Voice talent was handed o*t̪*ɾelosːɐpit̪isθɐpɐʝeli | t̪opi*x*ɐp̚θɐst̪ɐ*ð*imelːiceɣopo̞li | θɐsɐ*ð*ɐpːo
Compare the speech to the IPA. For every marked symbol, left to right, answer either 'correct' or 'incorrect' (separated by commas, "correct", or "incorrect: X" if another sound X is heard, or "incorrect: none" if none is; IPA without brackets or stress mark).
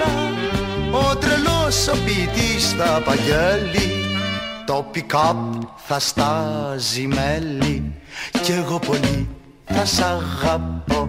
correct, incorrect: k, incorrect: z, incorrect: ɣ